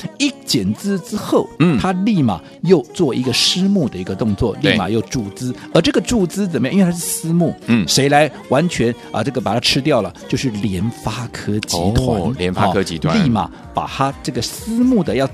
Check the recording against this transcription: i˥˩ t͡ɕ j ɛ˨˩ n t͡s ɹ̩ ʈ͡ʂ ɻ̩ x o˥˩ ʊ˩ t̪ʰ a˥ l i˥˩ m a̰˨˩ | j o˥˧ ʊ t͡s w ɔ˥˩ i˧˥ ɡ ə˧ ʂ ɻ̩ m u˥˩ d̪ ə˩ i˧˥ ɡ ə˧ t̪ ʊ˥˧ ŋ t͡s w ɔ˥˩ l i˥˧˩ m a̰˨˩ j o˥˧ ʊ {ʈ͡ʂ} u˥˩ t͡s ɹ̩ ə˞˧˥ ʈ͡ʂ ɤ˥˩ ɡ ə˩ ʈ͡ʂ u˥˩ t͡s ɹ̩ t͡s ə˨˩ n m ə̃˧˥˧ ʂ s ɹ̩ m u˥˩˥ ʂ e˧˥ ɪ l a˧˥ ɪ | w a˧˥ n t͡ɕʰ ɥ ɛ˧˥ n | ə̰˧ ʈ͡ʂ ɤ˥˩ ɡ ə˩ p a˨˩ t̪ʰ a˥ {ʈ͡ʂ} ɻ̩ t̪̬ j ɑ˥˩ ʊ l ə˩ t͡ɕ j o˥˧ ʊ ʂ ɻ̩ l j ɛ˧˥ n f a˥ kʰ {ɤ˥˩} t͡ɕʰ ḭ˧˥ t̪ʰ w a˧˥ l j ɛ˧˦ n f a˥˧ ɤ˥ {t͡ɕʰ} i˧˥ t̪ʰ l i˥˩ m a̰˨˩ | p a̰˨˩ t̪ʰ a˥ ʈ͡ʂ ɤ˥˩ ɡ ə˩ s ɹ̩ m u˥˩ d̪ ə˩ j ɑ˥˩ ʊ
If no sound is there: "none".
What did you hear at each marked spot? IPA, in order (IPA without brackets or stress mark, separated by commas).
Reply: ʈ͡ʂ, ʈ͡ʂʰ, ɤ˥, t͡ɕ